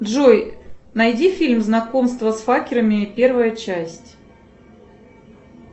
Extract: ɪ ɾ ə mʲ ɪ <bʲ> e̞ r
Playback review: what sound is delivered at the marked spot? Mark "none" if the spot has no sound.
pʲ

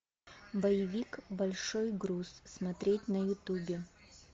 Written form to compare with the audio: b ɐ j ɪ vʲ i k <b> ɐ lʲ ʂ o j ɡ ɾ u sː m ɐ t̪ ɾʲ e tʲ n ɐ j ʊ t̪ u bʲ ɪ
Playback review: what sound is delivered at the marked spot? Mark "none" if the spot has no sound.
b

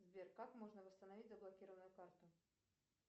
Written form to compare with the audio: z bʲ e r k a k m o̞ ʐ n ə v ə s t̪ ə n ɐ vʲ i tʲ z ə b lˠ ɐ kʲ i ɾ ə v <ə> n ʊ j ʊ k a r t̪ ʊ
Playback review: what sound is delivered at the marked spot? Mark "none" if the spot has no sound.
ə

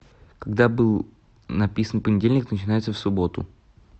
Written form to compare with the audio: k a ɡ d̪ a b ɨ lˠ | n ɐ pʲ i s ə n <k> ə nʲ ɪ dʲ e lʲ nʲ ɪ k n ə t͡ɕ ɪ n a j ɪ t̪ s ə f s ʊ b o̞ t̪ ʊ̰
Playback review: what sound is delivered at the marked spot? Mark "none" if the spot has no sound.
p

